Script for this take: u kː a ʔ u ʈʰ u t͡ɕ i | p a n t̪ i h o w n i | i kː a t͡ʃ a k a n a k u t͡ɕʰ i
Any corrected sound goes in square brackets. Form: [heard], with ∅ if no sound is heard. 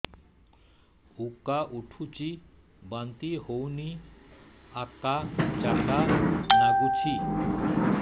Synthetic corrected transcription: u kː a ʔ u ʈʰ u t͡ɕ i | [b] a n t̪ i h o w n i | [a] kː a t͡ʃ a k a n a [ɡ] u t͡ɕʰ i